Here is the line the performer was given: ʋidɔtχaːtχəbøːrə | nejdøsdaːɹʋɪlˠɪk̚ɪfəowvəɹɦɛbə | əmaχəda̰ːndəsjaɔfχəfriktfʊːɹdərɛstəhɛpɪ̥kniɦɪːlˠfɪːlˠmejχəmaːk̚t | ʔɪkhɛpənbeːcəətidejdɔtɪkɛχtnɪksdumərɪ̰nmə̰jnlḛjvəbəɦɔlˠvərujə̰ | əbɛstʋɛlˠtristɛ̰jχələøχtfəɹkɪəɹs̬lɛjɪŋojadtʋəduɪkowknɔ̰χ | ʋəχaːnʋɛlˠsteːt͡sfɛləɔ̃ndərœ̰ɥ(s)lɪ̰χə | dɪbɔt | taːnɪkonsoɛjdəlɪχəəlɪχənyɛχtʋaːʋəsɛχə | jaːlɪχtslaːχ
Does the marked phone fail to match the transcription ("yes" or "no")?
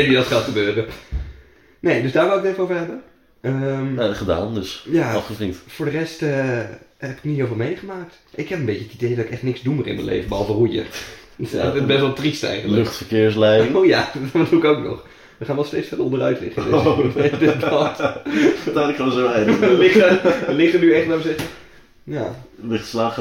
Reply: yes